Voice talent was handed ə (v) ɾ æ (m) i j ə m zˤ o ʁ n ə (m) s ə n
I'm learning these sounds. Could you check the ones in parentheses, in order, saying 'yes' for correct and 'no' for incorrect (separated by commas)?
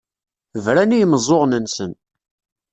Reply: yes, no, no